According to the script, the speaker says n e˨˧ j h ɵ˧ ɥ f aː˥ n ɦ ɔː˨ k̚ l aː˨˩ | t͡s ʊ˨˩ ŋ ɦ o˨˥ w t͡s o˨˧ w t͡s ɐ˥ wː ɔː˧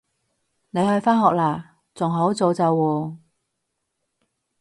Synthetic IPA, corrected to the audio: n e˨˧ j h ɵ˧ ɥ f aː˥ n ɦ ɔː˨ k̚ l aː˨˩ | t͡s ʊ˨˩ ŋ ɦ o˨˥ w t͡s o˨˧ w t͡s ɐ˨˧ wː ɔː˧